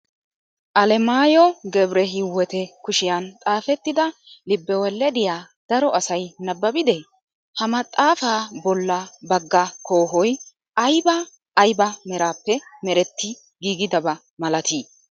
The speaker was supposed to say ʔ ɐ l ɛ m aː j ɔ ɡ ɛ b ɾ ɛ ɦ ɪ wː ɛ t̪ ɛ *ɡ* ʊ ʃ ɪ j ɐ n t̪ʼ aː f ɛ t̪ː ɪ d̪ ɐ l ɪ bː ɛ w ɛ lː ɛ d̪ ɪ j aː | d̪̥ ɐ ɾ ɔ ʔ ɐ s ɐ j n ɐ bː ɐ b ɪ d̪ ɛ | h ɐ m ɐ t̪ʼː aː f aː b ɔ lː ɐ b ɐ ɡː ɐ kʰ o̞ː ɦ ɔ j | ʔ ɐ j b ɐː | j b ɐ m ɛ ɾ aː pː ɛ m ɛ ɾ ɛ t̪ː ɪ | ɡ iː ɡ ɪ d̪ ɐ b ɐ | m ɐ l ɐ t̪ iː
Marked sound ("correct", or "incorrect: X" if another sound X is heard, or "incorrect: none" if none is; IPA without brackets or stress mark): incorrect: k